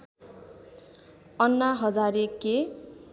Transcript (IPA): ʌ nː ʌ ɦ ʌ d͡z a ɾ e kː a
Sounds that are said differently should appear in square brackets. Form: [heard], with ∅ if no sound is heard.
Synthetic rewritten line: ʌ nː [a] ɦ ʌ d͡z a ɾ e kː [e]

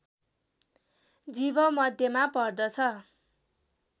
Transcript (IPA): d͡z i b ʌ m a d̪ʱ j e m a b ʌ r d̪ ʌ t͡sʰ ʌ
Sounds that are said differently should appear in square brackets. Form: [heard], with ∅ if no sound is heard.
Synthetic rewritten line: d͡z i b ʌ m [ʌ] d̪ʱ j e m a [p] ʌ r d̪ ʌ t͡sʰ ʌ

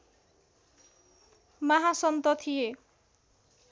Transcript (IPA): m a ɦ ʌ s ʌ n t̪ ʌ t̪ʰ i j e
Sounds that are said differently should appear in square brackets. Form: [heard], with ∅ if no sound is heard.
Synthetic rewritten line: m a ɦ [a] s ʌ n t̪ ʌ t̪ʰ i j e

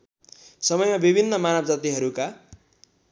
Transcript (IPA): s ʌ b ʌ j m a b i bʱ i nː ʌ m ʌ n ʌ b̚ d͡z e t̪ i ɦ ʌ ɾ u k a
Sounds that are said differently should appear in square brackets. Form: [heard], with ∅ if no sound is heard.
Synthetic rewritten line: s ʌ [m] ʌ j m a b i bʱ i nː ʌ m [a] n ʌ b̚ d͡z [a] t̪ i ɦ ʌ ɾ u k a

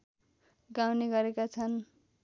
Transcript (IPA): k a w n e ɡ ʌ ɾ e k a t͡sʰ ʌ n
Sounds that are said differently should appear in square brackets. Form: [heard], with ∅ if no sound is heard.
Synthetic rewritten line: [ɡ] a w n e ɡ ʌ ɾ e k a t͡sʰ ʌ n

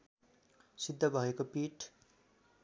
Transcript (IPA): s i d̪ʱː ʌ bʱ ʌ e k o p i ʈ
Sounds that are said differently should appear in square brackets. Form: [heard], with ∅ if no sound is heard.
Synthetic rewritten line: s i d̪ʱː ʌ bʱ ʌ e k o p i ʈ

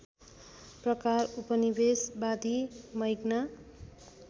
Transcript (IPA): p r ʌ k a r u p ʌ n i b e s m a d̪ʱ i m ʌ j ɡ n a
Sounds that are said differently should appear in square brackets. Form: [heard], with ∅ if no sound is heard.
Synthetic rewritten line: p r ʌ k a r u p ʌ n i b e s [b] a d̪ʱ i m ʌ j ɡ n a

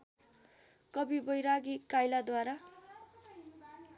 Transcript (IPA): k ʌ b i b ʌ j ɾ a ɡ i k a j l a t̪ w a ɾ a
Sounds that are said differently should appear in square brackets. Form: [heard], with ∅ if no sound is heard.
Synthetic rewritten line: k ʌ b i b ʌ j ɾ a ɡ i k a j l a [d̪] w a ɾ a

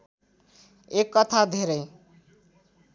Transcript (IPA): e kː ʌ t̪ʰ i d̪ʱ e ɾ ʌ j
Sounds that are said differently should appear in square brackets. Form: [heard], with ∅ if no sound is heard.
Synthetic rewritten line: e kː ʌ t̪ʰ [a] d̪ʱ e ɾ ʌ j

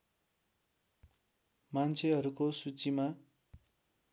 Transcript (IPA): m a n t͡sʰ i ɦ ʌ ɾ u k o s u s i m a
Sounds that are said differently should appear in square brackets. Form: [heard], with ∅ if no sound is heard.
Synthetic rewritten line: m a n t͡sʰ [e] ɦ ʌ ɾ u k o s u [t͡s] i m a

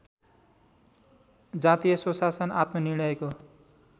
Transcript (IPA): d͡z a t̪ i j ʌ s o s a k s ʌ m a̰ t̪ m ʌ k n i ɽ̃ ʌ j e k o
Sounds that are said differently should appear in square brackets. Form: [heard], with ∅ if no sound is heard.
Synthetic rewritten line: d͡z a t̪ i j ʌ s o s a [∅] s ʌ [n] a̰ t̪ m ʌ [∅] n i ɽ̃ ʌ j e k o

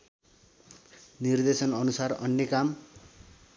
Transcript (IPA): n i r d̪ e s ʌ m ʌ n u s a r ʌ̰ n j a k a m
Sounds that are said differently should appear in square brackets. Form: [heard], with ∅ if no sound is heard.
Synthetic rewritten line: n i r d̪ e s ʌ [n] ʌ n u s a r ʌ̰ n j [ʌ] k a m

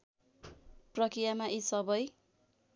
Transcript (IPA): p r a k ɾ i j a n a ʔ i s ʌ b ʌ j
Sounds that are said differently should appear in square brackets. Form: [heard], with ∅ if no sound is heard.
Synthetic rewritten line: p r [ʌ] k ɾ i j a [m] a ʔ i s ʌ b ʌ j

